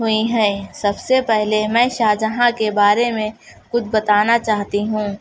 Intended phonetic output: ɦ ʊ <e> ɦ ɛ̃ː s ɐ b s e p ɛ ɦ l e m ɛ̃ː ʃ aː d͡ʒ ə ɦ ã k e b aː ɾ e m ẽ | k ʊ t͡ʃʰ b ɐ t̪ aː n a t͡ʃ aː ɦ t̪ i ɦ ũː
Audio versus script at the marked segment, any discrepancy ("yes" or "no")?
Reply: yes